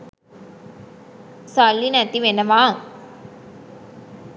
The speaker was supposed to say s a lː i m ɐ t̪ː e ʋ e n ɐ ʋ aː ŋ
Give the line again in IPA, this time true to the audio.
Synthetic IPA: s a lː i n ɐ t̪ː i ʋ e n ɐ ʋ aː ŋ